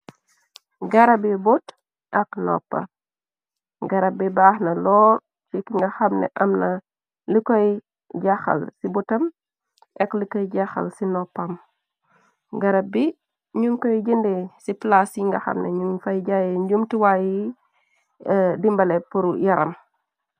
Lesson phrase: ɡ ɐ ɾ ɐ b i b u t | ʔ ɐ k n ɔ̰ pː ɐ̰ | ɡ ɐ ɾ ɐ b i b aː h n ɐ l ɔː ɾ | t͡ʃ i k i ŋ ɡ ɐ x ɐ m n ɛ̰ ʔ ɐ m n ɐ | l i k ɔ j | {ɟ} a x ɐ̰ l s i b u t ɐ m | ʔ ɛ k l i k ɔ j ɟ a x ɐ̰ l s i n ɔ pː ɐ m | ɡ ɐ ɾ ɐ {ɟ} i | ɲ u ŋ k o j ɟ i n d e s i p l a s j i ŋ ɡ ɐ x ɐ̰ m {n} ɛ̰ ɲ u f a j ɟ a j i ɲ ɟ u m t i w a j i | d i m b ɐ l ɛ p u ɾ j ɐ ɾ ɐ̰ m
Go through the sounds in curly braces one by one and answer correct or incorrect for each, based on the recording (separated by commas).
correct, incorrect, correct